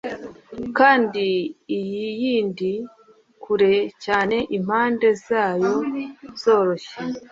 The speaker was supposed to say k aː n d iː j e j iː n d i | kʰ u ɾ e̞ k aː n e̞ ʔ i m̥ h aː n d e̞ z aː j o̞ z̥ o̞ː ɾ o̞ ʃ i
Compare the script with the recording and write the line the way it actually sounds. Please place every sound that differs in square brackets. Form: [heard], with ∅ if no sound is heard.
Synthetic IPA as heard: k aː n d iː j [i] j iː n d i | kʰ u ɾ e̞ [c] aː n e̞ ʔ i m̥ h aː n d e̞ z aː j o̞ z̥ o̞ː ɾ o̞ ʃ [e]